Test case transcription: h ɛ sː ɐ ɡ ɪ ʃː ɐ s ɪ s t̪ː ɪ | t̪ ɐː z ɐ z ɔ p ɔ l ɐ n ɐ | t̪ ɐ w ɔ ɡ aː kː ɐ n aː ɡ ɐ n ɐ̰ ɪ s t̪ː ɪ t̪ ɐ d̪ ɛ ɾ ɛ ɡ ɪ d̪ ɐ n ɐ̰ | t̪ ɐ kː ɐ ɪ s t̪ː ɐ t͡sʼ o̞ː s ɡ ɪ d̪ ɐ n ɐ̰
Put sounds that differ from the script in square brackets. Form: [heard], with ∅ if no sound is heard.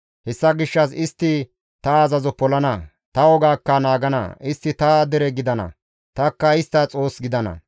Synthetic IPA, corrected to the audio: h ɛ sː ɐ ɡ ɪ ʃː ɐ s ɪ s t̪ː ɪ | t̪ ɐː z ɐ z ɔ p ɔ l ɐ n ɐ | t̪ ɐ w ɔ ɡ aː kː ɐ n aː ɡ ɐ n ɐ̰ ɪ s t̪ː ɪ t̪ ɐ d̪ ɛ ɾ ɛ ɡ ɪ d̪ ɐ n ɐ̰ | t̪ ɐ kː ɐ ɪ s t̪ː ɐ t͡sʼ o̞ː s ɡ ɪ d̪ ɐ n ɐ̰